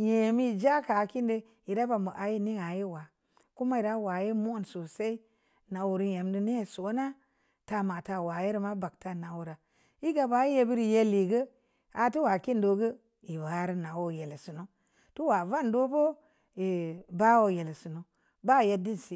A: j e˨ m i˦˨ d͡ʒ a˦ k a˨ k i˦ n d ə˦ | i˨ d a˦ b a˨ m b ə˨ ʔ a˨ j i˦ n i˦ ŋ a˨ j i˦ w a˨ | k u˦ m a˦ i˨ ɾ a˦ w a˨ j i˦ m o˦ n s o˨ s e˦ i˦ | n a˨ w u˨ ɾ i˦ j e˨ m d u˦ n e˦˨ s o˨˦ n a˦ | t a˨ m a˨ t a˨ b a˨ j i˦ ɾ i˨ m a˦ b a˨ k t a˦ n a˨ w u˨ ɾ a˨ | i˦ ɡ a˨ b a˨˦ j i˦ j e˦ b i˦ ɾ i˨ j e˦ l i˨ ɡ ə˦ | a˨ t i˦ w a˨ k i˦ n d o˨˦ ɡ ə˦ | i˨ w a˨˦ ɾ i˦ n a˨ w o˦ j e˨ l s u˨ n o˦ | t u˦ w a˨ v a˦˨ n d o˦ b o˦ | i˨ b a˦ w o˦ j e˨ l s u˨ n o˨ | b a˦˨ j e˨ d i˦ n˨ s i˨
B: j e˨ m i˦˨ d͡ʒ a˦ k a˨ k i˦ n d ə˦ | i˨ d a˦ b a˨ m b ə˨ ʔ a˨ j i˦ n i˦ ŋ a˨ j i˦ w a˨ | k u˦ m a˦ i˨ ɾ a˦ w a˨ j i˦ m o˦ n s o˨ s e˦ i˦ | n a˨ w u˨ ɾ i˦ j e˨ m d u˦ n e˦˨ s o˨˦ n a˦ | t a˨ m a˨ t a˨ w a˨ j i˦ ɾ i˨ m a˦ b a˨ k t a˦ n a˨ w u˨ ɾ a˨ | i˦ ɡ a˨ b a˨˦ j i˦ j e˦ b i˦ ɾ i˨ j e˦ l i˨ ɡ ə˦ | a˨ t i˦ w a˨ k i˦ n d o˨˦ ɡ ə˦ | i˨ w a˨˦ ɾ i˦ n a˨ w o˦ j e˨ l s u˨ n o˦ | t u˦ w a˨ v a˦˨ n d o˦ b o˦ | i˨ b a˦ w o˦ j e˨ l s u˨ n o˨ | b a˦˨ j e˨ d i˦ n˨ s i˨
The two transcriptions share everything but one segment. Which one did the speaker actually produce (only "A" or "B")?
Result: B